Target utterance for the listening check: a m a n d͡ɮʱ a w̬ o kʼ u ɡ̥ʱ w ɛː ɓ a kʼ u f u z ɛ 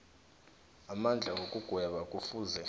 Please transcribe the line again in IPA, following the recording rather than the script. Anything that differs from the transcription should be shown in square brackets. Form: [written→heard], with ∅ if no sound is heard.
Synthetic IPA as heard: a m a n d͡ɮʱ a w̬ o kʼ u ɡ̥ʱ w [ɛː→ɛ] ɓ a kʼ u f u z ɛ